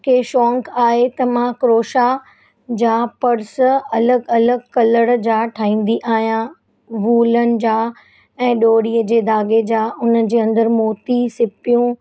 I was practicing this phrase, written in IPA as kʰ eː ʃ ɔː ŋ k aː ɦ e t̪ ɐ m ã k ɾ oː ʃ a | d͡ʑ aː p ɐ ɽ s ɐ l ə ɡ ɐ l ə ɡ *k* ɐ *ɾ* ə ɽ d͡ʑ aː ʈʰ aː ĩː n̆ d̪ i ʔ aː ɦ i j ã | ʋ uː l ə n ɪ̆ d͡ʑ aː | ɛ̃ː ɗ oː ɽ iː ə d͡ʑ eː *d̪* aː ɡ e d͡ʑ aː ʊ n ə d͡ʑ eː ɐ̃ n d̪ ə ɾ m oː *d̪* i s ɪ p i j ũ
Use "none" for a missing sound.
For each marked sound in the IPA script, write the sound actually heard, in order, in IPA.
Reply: k, l, d̪, t̪

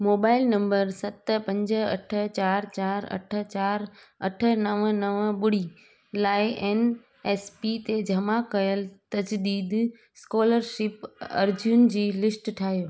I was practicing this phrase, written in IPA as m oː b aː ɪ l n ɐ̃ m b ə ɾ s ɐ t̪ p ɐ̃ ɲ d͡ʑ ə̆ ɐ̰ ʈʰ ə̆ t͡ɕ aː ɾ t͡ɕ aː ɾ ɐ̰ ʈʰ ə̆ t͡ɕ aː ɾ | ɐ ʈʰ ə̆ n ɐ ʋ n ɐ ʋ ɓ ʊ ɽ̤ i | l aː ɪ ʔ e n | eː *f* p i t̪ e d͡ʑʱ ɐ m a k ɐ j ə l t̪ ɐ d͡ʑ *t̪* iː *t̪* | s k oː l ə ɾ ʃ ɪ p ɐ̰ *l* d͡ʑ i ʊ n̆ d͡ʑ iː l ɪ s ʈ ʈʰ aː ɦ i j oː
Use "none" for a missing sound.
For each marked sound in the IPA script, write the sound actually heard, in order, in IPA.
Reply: s, d̪, d̪, ɾ

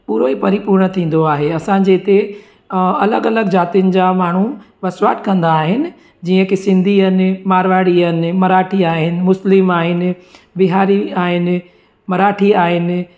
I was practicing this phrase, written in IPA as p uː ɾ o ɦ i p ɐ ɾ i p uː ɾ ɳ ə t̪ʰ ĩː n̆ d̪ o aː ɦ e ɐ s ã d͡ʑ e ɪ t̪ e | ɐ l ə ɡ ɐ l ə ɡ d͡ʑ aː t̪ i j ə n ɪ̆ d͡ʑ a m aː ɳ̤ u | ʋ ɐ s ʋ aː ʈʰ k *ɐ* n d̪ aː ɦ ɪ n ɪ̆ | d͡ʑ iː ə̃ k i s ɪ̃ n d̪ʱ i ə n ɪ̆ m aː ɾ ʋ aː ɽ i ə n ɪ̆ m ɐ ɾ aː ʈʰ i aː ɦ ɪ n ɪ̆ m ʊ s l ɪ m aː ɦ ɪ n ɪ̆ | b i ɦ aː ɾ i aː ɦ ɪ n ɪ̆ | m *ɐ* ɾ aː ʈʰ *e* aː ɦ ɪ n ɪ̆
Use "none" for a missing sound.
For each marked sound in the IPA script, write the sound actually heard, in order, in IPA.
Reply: ɐ̃, ɐ, i

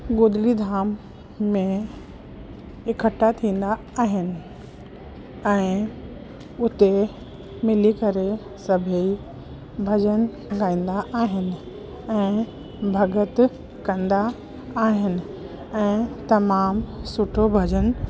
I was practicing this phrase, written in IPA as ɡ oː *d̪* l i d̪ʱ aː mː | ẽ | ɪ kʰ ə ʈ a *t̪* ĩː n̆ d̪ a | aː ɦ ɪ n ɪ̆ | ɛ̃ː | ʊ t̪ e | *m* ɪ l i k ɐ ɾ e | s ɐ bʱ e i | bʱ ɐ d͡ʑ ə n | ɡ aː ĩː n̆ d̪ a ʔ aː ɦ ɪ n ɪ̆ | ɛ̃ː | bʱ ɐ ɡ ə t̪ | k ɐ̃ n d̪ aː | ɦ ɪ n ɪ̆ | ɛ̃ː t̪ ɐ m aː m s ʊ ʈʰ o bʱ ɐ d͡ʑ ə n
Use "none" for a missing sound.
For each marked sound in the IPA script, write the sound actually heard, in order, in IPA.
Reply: d̪, t̪ʰ, m

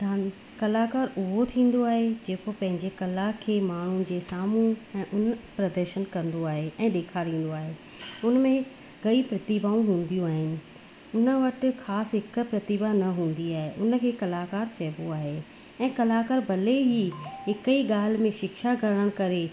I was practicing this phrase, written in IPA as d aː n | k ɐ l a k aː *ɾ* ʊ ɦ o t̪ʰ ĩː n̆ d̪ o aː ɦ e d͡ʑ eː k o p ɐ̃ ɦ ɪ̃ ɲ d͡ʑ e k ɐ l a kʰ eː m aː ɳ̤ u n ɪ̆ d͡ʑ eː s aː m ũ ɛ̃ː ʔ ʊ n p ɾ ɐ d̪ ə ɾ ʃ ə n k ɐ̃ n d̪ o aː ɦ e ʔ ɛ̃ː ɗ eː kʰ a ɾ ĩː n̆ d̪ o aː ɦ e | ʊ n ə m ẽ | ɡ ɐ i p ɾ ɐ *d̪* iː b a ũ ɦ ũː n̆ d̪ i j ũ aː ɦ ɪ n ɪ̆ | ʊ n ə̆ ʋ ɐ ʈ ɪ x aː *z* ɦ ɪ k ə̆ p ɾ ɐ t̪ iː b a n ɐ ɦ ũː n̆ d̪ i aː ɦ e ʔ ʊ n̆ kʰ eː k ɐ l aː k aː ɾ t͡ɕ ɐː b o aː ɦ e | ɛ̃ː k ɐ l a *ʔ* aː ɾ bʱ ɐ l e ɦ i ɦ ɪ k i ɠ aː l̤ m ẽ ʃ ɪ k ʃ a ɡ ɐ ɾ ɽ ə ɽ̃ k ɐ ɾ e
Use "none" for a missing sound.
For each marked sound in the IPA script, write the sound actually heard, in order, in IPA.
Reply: ɾ, t̪, s, k

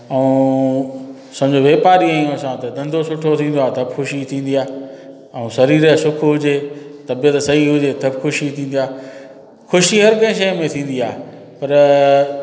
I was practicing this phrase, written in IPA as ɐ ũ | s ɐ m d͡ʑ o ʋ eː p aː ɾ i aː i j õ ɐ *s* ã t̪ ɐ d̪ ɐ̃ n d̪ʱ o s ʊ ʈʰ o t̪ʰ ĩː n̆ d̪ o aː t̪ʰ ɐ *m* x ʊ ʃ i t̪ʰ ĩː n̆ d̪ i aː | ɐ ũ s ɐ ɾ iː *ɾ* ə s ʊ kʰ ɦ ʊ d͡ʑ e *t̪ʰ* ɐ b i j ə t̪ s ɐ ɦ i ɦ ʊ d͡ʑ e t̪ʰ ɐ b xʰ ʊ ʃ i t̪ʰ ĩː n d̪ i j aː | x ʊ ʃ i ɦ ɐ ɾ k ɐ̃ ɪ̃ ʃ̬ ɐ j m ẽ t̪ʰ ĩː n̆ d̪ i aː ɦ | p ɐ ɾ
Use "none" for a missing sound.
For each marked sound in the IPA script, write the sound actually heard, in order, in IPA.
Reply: s, b, ɾ, t̪

